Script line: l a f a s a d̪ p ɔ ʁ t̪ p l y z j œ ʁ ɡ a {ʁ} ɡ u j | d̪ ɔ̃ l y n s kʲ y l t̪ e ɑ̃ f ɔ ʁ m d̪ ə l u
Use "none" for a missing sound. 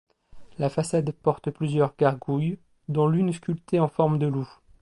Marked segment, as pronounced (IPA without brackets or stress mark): ʁ